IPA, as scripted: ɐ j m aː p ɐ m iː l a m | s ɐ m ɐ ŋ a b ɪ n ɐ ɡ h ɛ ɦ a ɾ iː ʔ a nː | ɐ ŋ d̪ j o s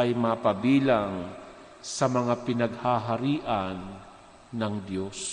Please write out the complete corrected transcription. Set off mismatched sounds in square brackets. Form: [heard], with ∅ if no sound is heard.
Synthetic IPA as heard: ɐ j m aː p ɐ [b] iː l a [ŋ] | s ɐ m ɐ ŋ a [p] ɪ n ɐ ɡ h [a] ɦ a ɾ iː ʔ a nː | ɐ ŋ d̪ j o s